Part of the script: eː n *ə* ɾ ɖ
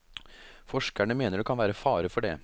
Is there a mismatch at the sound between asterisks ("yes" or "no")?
no